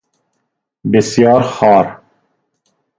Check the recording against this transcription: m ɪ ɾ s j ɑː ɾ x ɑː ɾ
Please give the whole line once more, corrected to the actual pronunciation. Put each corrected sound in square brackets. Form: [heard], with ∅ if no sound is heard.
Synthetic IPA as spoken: [b] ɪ [∅] s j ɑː ɾ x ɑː ɾ